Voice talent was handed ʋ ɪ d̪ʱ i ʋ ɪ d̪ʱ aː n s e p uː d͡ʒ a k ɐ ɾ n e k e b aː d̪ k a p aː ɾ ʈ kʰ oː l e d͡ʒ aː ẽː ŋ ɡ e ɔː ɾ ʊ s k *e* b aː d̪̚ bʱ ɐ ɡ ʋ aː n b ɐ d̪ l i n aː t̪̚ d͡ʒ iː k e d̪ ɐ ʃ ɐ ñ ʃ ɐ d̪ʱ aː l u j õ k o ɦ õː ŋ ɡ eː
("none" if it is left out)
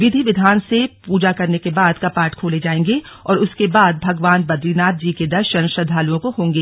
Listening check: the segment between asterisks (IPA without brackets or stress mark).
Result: e